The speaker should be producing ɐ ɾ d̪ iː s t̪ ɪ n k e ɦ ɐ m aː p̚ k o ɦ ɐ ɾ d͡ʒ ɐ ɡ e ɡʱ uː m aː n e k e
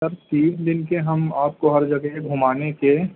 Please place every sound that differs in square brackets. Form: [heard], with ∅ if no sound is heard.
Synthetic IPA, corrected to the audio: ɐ ɾ [t̪] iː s [d̪] ɪ n k e ɦ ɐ m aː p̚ k o ɦ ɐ ɾ d͡ʒ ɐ ɡ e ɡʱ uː m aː n e k e